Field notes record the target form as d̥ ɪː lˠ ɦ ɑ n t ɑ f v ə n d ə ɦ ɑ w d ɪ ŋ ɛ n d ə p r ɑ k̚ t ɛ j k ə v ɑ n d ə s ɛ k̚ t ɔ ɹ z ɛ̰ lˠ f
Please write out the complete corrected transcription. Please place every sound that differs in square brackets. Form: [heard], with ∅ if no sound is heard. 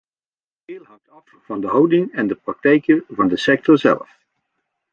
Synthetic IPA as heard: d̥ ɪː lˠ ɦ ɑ [ŋ] t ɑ f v [ɑ] n d ə ɦ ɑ w d ɪ ŋ ɛ n d ə p r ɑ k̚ t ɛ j k ə v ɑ n d ə s ɛ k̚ t ɔ ɹ z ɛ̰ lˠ f